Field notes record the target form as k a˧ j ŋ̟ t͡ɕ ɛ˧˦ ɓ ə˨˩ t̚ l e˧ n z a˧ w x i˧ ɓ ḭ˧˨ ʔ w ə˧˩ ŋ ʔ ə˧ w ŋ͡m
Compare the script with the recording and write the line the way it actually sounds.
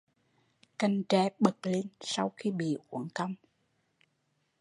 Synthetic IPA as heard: k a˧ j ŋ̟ t͡ɕ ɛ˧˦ ɓ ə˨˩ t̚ l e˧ n s a˧ w x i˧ ɓ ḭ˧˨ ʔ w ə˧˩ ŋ k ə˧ w ŋ͡m